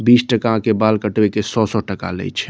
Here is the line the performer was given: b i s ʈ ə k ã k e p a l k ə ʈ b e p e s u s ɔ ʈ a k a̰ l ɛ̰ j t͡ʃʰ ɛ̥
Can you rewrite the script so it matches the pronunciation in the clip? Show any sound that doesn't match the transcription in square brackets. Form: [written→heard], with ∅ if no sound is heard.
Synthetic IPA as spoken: b i s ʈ ə k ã k e [p→b] a l k ə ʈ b e [p→k] e s [u→ɔ] s ɔ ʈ [a→ə] k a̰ l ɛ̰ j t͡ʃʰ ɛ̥